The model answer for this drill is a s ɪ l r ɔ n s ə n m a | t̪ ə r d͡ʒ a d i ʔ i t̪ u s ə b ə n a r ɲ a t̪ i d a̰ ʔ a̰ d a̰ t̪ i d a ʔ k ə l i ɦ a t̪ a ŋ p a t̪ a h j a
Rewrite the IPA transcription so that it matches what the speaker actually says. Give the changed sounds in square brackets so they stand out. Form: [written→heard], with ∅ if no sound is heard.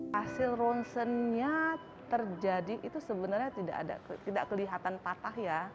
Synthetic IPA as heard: a s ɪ l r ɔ n s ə n [m→ɲ] a | t̪ ə r d͡ʒ a d i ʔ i t̪ u s ə b ə n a r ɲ a t̪ i d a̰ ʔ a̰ d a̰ t̪ i d a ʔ k ə l i ɦ a t̪ a [ŋ→n] p a t̪ a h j a